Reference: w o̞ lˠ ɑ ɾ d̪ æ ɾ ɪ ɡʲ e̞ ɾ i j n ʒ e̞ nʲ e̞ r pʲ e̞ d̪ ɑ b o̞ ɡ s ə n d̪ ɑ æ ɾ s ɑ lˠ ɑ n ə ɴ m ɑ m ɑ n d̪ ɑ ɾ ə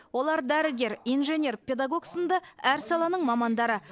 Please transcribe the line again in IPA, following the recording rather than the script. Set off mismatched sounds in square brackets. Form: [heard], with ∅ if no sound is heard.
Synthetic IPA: w o̞ lˠ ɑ ɾ d̪ æ ɾ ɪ ɡʲ e̞ ɾ i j n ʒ e̞ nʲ e̞ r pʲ e̞ d̪ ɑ [ɡ] o̞ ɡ s ə n d̪ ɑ æ ɾ s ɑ lˠ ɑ n ə ɴ m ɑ m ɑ n d̪ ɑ ɾ ə